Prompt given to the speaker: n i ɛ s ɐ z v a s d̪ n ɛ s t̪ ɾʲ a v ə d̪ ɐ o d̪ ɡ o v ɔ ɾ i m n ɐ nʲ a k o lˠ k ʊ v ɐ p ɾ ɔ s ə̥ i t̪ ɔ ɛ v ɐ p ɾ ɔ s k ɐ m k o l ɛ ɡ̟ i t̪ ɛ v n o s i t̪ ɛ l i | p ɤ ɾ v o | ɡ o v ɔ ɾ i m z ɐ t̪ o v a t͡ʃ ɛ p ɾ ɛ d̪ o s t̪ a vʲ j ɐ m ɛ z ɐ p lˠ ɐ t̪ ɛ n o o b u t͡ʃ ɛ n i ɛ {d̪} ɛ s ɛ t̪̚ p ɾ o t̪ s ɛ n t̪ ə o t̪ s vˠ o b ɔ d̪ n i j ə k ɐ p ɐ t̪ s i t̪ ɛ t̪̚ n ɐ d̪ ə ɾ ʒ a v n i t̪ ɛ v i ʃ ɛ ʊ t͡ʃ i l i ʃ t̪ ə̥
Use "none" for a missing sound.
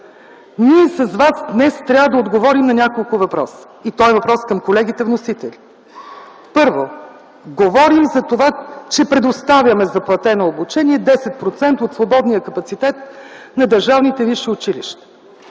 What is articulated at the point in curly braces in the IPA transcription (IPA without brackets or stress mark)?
d̪